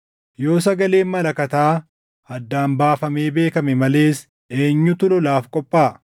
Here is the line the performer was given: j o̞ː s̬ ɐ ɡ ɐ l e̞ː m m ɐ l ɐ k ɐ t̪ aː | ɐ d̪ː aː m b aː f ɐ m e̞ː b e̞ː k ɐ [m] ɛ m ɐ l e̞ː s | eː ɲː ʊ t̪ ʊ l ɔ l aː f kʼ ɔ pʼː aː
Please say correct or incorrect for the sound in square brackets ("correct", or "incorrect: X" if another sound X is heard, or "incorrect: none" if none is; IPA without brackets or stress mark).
correct